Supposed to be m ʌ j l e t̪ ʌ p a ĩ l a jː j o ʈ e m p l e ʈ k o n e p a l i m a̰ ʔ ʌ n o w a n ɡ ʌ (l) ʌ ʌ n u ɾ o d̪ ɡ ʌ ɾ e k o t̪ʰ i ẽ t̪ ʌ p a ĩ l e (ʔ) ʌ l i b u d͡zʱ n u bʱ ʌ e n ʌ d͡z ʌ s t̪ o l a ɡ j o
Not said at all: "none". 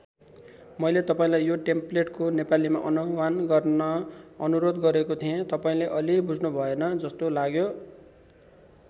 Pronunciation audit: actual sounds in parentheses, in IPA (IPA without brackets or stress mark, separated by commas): r, ʔ